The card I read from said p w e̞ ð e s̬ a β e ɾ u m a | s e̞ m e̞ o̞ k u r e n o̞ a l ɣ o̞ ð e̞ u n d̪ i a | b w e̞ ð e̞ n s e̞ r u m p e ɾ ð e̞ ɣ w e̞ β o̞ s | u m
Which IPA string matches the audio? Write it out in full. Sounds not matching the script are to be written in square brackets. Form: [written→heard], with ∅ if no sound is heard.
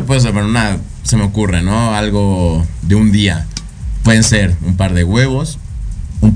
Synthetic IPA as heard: p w e̞ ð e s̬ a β e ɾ u [m→n] a | s e̞ m e̞ o̞ k u r e n o̞ a l ɣ o̞ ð e̞ u n d̪ i a | [b→p] w e̞ ð e̞ n s e̞ [r→ɾ] u m p [e→a] ɾ ð e̞ ɣ w e̞ β o̞ s | u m